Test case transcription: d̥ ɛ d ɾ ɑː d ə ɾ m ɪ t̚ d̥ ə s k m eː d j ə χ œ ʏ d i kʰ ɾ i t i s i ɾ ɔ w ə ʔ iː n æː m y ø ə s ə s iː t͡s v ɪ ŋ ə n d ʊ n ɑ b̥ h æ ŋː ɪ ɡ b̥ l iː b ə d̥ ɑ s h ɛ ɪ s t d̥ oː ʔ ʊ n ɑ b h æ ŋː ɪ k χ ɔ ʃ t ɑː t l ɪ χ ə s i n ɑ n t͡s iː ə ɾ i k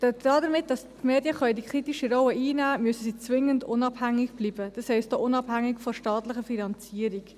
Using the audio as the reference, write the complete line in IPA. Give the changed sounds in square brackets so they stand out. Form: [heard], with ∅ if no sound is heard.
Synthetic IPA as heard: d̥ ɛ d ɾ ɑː d ə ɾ m ɪ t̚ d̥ [ɑ] s [t] m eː d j ə χ œ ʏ d i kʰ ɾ i t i [ʃ] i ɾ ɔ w ə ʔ iː n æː m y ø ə s ə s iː t͡s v ɪ ŋ ə n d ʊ n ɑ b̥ h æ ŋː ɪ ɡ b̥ l iː b ə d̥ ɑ s h ɛ ɪ s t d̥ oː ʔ ʊ n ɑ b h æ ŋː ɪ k [f] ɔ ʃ t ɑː t l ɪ χ ə [f] i n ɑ n t͡s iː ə ɾ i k